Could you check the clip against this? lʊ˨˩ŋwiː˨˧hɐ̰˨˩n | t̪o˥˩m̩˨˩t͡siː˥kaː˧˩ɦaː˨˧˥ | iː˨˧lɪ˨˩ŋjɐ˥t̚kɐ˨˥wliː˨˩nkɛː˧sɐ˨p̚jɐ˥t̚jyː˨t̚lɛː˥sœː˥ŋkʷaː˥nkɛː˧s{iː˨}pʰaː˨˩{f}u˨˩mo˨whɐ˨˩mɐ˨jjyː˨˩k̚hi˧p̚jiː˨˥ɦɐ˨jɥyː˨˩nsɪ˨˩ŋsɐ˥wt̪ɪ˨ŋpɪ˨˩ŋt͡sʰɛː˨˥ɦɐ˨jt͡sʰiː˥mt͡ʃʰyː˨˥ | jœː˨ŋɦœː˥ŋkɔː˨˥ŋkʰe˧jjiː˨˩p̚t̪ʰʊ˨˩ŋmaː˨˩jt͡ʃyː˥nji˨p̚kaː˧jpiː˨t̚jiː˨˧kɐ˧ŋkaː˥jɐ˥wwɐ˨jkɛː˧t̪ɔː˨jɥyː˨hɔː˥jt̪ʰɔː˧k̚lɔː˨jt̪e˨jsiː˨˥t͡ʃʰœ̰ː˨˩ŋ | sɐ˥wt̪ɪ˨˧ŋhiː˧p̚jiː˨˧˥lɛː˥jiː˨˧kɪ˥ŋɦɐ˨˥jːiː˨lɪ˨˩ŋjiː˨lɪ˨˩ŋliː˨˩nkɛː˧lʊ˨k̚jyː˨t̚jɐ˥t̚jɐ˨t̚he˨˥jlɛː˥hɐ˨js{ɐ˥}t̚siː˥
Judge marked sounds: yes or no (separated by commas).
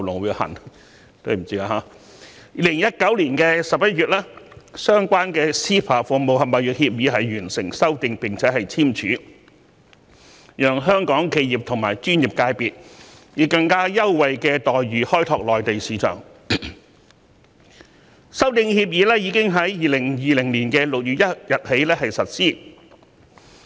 no, yes, no